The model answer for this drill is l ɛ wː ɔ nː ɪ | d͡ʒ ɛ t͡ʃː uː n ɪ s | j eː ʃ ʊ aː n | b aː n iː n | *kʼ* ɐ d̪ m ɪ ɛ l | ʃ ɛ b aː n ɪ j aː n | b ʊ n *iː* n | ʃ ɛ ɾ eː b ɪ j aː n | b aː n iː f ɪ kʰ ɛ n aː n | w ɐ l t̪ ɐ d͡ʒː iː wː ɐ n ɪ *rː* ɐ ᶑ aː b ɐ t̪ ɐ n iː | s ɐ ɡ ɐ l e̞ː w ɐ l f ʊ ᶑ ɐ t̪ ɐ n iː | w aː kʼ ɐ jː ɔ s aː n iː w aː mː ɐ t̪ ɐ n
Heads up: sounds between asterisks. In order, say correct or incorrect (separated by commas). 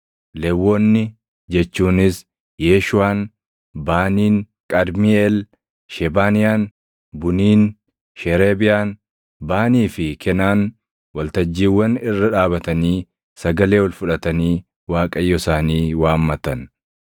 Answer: correct, correct, correct